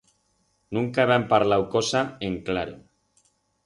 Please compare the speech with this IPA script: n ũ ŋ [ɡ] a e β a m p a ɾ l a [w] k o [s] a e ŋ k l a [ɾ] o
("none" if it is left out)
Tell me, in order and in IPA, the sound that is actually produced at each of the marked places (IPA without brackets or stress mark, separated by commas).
k, w, s, ɾ